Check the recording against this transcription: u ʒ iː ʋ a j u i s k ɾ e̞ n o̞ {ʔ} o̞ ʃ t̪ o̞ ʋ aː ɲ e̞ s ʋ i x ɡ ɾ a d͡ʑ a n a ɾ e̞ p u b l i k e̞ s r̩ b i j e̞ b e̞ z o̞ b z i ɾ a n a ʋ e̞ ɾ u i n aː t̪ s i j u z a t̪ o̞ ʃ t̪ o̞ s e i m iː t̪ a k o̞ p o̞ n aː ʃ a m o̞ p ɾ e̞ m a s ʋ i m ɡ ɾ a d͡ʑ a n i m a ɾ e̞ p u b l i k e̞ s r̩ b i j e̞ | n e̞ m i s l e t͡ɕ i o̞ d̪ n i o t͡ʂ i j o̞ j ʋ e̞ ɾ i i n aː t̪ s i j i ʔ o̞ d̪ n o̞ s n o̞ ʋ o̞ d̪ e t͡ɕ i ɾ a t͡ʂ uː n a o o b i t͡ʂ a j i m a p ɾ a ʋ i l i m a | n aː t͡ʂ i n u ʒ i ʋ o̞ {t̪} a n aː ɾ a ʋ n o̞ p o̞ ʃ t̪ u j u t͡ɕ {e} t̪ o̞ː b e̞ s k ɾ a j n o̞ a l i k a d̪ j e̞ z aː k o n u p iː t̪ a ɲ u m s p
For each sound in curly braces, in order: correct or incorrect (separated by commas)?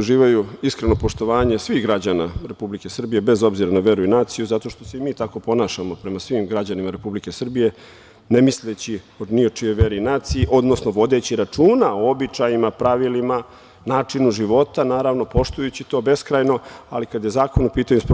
incorrect, correct, incorrect